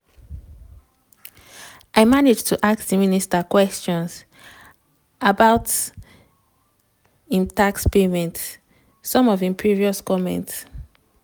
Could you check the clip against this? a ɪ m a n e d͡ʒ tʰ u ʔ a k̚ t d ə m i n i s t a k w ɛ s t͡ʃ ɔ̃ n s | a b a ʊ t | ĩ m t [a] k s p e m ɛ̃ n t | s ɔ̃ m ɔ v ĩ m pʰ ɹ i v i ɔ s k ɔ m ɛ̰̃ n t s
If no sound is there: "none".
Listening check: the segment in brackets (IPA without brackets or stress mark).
a